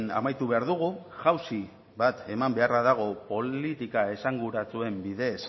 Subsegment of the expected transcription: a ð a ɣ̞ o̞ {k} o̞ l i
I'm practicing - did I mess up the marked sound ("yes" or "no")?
yes